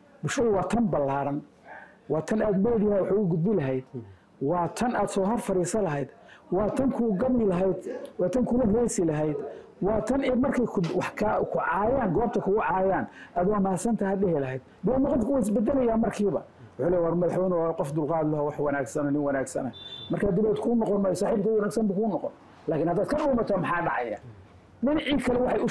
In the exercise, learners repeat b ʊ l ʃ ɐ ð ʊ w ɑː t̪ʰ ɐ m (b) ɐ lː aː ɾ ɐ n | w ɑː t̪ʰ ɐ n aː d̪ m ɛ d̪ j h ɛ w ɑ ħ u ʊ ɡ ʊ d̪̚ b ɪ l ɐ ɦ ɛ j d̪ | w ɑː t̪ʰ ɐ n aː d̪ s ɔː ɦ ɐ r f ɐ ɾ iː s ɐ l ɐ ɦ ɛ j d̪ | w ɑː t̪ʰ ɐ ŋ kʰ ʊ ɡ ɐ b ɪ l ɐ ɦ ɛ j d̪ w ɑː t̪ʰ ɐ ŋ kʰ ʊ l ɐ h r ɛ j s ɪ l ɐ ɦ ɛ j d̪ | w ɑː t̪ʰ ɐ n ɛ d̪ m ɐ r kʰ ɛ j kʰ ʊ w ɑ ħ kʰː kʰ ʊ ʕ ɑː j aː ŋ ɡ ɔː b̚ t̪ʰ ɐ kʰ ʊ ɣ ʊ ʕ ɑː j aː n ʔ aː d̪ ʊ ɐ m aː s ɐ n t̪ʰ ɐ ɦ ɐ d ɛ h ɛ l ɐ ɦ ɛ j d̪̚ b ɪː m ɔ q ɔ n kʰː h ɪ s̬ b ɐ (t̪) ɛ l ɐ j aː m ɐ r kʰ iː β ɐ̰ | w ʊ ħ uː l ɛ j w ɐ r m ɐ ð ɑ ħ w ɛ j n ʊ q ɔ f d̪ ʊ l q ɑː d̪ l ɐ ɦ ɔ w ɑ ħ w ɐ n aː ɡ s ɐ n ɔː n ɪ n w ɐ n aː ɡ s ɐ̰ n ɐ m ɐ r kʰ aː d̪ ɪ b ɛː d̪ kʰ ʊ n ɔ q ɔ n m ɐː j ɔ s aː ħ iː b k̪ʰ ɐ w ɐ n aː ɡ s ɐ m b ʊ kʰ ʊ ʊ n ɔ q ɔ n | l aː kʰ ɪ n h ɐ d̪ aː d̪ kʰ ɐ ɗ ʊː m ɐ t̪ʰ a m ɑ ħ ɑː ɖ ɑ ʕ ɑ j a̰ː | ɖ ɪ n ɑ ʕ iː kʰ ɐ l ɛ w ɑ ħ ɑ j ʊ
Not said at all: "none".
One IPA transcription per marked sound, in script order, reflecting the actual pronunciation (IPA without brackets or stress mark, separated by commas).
b, d̪